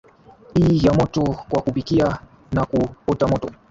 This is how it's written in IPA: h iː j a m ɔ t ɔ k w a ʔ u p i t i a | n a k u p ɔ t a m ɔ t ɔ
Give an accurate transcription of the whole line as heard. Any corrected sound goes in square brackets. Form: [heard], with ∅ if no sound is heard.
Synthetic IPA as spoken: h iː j a m ɔ t ɔ k w a [k] u p i [k] i a | n a k u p ɔ t a m ɔ t ɔ